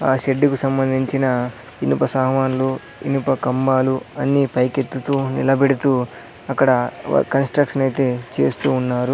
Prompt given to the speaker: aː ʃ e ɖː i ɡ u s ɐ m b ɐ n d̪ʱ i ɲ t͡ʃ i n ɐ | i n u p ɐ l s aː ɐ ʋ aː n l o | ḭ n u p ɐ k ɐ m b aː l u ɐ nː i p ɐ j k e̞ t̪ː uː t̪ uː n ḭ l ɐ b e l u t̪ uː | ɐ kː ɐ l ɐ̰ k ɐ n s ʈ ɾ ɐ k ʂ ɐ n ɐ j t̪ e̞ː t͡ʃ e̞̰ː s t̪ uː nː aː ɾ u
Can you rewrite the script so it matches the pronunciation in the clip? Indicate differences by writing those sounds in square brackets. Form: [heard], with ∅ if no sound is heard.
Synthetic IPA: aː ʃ e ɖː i [k] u s ɐ m b ɐ n d̪ʱ i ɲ t͡ʃ i n ɐ | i n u p ɐ [∅] s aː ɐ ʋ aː n l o | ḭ n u p ɐ k ɐ m b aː l u ɐ nː i p ɐ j k e̞ t̪ː [u] t̪ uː n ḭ l ɐ b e [ɽ] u t̪ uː | ɐ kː ɐ [ɽ] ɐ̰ k ɐ n s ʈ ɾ ɐ k ʂ ɐ n ɐ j t̪ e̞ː t͡ʃ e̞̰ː s t̪ uː nː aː ɾ u